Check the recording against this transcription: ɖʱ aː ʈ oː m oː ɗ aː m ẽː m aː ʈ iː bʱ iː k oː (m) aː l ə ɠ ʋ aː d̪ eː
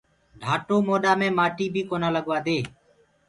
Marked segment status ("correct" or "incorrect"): incorrect